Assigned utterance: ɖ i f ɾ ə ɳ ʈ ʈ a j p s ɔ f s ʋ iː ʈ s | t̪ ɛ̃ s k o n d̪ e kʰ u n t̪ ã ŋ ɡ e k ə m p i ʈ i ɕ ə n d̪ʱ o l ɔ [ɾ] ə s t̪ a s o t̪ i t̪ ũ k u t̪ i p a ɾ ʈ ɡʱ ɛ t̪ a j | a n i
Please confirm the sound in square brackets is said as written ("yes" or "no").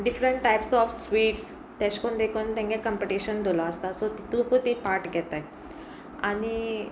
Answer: no